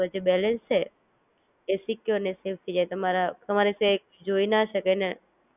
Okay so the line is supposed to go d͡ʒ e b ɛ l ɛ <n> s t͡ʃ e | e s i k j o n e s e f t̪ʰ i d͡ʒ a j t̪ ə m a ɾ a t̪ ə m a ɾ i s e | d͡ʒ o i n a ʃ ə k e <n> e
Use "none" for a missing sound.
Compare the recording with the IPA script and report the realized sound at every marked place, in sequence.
n, n

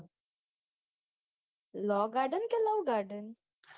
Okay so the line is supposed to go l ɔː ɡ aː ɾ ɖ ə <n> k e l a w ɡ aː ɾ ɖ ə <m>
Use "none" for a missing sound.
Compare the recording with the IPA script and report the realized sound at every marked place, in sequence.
n, n

